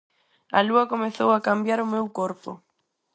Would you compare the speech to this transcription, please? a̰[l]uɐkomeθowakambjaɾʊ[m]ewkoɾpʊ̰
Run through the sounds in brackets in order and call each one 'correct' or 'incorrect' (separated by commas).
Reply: correct, correct